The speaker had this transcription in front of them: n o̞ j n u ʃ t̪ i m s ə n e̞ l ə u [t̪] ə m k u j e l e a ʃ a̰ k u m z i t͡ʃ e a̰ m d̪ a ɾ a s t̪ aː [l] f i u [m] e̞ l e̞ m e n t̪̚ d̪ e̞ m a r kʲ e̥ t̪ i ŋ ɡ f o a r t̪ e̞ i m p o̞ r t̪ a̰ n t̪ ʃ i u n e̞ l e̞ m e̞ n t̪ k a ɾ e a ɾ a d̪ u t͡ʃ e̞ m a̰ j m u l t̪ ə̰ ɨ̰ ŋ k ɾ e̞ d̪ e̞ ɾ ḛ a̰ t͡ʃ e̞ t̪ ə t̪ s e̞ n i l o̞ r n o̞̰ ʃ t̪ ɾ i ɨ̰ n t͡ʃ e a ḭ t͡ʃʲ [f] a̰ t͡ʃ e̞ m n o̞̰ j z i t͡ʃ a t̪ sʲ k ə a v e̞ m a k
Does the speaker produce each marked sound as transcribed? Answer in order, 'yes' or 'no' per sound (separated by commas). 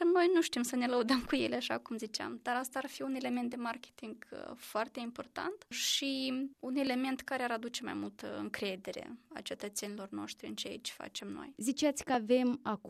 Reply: no, no, no, yes